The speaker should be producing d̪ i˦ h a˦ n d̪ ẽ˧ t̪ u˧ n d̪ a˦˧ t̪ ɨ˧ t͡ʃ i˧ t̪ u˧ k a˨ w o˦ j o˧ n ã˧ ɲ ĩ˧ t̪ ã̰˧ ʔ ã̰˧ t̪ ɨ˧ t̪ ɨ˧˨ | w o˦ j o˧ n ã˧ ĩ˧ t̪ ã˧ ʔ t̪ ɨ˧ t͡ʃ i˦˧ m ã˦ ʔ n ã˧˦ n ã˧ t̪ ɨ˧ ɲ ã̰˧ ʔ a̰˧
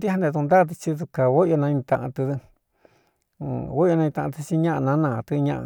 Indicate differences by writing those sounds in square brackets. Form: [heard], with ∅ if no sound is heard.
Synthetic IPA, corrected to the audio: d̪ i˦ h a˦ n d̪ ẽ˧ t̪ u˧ n d̪ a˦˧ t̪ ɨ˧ t͡ʃ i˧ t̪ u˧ k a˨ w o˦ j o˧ n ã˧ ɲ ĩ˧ t̪ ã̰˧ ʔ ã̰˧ t̪ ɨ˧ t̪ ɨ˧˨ | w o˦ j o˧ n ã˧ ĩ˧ t̪ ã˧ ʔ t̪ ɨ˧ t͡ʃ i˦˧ [ɲ] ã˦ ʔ n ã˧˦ n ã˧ t̪ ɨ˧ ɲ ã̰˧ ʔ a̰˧